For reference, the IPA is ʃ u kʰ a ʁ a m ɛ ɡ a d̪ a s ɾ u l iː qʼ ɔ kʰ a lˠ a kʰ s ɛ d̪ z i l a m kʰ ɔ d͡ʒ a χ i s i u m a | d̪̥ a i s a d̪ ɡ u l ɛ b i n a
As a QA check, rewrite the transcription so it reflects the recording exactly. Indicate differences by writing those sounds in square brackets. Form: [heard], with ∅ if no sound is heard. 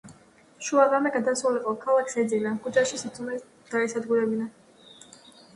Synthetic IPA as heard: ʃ u [∅] a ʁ a m ɛ ɡ a d̪ a s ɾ u l [i] qʼ ɔ kʰ a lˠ a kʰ s ɛ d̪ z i l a m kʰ [u] d͡ʒ a [ʃ] i s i u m [ɛ] | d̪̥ a [ɛ] s a d̪ ɡ u [ɾ] ɛ b i n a

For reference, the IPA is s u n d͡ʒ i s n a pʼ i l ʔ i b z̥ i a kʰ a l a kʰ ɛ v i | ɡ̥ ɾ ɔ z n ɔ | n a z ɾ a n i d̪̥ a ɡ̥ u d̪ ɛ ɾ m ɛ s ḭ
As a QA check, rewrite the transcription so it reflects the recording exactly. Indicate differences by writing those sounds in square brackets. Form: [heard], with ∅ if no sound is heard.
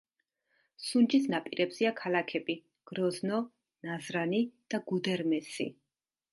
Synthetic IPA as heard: s u n d͡ʒ i s n a pʼ i [ɾ] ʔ [ɛ] b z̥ i a kʰ a l a kʰ ɛ [b] i | ɡ̥ ɾ ɔ z n ɔ | n a z ɾ a n i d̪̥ a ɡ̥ u d̪ ɛ ɾ m ɛ s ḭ

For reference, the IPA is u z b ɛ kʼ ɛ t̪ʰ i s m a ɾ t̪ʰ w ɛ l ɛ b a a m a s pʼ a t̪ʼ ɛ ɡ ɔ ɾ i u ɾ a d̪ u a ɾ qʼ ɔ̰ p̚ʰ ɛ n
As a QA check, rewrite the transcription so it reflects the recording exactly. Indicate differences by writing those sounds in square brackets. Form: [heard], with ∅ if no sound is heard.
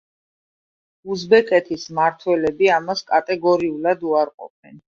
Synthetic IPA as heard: u z b ɛ kʼ ɛ t̪ʰ i s m a ɾ t̪ʰ w ɛ l ɛ b [i] a m a s [kʼ] a t̪ʼ ɛ ɡ ɔ ɾ i u [l] a d̪ u a ɾ qʼ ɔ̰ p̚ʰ ɛ n

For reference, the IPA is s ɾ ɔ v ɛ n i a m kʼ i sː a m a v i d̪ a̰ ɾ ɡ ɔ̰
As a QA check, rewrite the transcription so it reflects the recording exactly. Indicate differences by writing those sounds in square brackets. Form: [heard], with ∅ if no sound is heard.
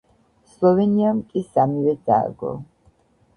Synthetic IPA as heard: s [l] ɔ v ɛ n i a m kʼ i [s] a m [i] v [ɛ] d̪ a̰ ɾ ɡ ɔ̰

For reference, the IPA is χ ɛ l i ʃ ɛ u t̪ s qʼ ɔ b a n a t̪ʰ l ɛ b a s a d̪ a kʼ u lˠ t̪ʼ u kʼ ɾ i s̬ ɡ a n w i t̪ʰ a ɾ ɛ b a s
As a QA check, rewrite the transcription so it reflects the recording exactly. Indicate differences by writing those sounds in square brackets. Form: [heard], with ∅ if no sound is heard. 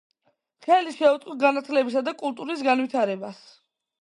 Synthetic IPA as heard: χ ɛ l i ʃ ɛ u t̪ s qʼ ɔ [ɡ] a n a t̪ʰ l ɛ b [i] s a d̪ a kʼ u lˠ t̪ʼ u [∅] ɾ i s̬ ɡ a n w i t̪ʰ a ɾ ɛ b a s

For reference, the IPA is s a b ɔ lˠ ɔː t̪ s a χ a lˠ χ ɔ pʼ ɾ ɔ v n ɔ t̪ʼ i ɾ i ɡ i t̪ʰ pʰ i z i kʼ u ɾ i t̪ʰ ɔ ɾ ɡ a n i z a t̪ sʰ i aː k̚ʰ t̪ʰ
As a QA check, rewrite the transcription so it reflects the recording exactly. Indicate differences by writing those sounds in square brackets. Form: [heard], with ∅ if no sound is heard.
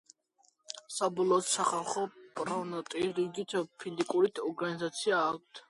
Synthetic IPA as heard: s a b ɔ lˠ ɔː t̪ s a χ a lˠ χ ɔ pʼ ɾ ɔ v n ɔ t̪ʼ i ɾ i ɡ i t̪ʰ pʰ i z i kʼ u ɾ i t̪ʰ ɔ ɾ ɡ a n i z a t̪ sʰ i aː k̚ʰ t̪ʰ

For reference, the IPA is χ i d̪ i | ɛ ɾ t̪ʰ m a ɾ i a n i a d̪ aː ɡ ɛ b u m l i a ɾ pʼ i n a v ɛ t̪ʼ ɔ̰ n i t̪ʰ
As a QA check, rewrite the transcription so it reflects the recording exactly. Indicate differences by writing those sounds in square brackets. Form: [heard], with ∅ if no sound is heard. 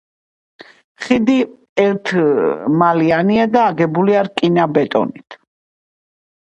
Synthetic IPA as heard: χ i d̪ i | ɛ ɾ t̪ʰ m a [l] i a n i a d̪ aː ɡ ɛ b u [∅] l i a ɾ [kʼ] i n a [b] ɛ t̪ʼ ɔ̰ n i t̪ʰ

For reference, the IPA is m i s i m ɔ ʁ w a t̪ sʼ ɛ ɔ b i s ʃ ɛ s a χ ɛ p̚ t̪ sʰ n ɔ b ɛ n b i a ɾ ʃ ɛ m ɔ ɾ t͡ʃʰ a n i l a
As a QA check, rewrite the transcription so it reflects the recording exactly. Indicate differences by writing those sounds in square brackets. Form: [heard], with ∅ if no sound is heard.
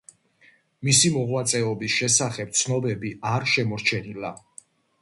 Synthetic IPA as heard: m i s i m ɔ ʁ w a t̪ sʼ ɛ ɔ b i s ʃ ɛ s a χ ɛ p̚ t̪ sʰ n ɔ b ɛ [∅] b i a ɾ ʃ ɛ m ɔ ɾ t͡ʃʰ [ɛ] n i l a

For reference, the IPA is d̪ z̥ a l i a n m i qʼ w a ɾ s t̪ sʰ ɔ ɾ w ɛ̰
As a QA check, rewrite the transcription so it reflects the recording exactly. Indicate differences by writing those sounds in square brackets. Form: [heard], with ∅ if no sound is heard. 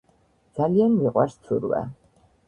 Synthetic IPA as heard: d̪ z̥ a l i a n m i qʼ w a ɾ s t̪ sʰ [u] ɾ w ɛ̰

